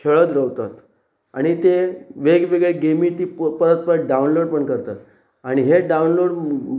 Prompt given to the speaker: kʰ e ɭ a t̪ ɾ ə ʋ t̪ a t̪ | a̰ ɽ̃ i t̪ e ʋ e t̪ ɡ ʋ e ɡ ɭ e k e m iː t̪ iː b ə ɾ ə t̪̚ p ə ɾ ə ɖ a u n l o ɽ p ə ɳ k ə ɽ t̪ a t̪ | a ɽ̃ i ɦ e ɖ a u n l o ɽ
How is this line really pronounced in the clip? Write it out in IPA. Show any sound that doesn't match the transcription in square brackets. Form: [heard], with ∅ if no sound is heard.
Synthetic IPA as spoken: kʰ e ɭ [ə] t̪ ɾ ə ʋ t̪ a t̪ | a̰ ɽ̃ i t̪ e ʋ e [∅] ɡ ʋ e ɡ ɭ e [ɡ] e m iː t̪ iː [p] ə ɾ ə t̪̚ p ə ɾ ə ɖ a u n l o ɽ p ə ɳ k ə [ɾ] t̪ a t̪ | a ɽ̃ i ɦ e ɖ a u n l o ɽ

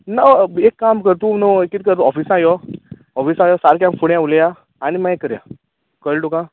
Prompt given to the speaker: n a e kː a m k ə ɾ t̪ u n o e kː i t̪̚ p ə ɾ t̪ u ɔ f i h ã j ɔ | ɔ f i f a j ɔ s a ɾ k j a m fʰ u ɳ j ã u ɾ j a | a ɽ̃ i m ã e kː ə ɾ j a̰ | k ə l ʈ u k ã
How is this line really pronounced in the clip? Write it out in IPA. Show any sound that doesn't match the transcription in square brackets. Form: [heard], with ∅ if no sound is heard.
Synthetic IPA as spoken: n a e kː a m k ə ɾ t̪ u n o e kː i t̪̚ [k] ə ɾ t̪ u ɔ f i [s] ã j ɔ | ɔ f i [s] a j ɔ s a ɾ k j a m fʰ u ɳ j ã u [l] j a | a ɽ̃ i m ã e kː ə ɾ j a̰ | k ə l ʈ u k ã

